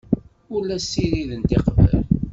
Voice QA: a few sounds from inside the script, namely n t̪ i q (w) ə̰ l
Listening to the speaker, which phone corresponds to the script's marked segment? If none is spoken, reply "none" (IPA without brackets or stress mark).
v